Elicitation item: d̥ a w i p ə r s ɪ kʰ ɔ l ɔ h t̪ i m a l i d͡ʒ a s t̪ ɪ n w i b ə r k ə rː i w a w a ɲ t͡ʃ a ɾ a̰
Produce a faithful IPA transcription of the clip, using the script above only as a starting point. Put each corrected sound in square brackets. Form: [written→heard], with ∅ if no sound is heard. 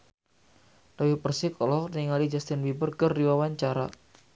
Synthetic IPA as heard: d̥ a w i p ə r s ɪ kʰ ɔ l ɔ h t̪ i [m→ŋ] a l i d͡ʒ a s t̪ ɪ n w i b ə r k ə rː i w a w a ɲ t͡ʃ a ɾ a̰

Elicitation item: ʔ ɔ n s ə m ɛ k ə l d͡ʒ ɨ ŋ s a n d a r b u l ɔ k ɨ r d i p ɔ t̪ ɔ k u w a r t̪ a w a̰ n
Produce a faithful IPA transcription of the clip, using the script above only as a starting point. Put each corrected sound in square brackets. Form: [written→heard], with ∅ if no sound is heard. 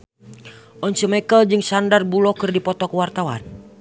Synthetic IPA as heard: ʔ ɔ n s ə m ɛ k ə l d͡ʒ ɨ ŋ s a n d a r b u l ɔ k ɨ r d i p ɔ t̪ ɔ k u w a r t̪ a w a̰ n

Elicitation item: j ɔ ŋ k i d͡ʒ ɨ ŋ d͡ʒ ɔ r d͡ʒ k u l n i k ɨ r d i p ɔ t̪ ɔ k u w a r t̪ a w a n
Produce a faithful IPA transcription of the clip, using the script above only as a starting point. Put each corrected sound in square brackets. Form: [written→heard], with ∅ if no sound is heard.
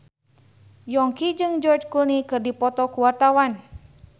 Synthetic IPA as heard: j ɔ ŋ k i d͡ʒ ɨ ŋ d͡ʒ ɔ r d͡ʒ k u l n i k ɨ r d i p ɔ t̪ ɔ k u w a r t̪ a w a n

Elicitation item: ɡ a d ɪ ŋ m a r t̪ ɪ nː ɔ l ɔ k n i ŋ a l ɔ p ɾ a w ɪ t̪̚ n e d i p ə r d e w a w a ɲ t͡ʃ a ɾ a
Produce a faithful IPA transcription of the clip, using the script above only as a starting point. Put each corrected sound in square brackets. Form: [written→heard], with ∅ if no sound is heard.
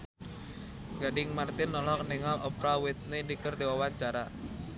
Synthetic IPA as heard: ɡ a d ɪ ŋ m a r t̪ ɪ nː ɔ l ɔ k n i ŋ a l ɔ p ɾ a w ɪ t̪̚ n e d i [p→k] ə r d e w a w a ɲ t͡ʃ a ɾ a

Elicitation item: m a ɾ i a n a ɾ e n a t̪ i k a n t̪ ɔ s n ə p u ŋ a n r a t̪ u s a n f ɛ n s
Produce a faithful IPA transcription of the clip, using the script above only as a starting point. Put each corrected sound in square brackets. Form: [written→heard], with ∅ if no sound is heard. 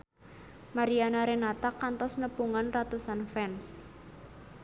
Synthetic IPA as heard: m a ɾ i a n a ɾ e n a t̪ [i→a] k a n t̪ ɔ s n ə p u ŋ a n r a t̪ u s a n f ɛ n s

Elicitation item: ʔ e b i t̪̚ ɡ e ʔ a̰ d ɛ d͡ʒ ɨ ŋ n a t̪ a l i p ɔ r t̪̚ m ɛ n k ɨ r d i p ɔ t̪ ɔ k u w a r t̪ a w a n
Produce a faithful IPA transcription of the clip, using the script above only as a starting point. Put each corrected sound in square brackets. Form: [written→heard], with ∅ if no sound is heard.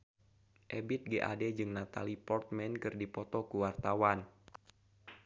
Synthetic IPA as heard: ʔ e b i t̪̚ ɡ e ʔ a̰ d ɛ d͡ʒ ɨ ŋ n a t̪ a l i p ɔ r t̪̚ m ɛ n k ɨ r d i p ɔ t̪ ɔ k u w a r t̪ a w a n

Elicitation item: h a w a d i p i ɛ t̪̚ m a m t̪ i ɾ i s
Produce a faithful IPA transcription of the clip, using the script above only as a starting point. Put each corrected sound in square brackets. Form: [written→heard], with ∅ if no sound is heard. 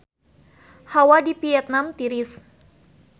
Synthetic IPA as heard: h a w a d i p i ɛ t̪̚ [m→n] a m t̪ i ɾ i s

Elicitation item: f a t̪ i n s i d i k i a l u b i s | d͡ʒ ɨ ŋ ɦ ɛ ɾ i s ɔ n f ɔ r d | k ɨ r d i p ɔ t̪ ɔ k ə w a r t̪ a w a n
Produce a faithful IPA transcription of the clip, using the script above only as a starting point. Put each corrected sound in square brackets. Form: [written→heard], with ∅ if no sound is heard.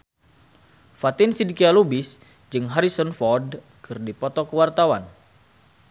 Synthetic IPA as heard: f a t̪ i n s i d i k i a l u b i s | d͡ʒ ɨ ŋ ɦ [ɛ→a] ɾ i s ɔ n f ɔ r d | k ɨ r d i p ɔ t̪ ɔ k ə w a r t̪ a w a n

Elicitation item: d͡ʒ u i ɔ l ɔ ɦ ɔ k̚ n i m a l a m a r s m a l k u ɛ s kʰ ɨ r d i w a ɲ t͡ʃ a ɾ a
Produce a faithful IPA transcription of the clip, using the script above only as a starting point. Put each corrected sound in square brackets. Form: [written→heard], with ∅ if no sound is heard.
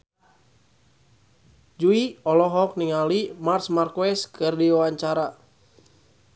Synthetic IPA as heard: d͡ʒ u i ɔ l ɔ ɦ ɔ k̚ n i [m→ŋ] a l [a→i] m a r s m a [l→r] k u ɛ s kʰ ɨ r d i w a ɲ t͡ʃ a ɾ a

